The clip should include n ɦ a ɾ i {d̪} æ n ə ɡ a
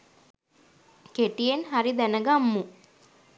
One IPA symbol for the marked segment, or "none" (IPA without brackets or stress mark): d̪